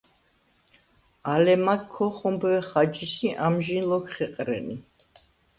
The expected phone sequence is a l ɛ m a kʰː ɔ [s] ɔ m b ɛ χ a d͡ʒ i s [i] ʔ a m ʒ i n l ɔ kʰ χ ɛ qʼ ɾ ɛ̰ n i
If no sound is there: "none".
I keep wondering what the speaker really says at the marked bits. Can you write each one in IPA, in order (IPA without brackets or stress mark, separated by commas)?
χ, i